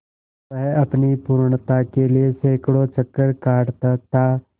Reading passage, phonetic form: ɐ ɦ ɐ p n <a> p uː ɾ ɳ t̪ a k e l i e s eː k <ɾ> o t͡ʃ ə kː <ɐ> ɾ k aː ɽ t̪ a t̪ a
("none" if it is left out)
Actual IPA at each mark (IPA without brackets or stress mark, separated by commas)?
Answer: i, ɽ, ə